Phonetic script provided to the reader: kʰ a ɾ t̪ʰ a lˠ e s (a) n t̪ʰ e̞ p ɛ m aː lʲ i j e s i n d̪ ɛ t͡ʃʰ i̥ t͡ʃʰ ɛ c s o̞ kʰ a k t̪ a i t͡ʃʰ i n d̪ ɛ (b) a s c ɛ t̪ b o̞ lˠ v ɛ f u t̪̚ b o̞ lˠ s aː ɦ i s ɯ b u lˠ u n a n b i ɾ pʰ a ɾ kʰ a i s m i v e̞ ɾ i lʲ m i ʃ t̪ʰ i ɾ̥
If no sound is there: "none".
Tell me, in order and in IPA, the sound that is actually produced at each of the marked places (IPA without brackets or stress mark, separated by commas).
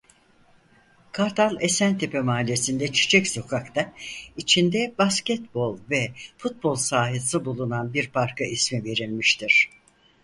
æ, b